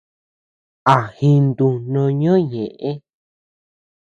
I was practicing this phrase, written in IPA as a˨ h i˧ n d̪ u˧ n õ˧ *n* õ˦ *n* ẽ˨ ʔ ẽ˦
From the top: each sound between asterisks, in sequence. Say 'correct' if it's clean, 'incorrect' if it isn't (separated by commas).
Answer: incorrect, incorrect